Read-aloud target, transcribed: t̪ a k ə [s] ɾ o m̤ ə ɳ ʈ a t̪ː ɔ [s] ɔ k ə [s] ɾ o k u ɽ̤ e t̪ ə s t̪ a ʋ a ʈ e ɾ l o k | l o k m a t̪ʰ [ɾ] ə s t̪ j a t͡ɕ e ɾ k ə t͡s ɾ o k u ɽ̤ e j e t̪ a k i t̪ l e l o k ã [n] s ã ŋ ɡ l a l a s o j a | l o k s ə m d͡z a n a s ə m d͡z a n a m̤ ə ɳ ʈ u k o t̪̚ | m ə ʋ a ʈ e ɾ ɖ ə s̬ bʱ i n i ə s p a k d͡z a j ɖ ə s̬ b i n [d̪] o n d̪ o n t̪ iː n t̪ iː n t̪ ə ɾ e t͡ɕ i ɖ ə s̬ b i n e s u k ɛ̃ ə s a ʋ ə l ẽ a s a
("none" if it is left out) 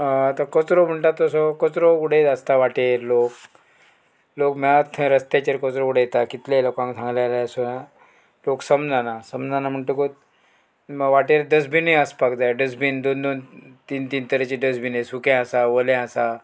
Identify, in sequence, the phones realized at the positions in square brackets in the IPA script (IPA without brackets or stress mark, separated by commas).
t͡s, s, t͡s, ɾ, ŋ, d̪